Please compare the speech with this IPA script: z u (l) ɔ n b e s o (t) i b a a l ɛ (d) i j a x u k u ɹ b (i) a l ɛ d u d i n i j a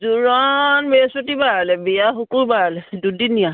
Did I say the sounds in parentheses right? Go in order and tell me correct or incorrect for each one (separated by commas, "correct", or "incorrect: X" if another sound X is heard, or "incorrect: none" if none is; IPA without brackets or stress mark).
incorrect: ɹ, correct, incorrect: b, incorrect: a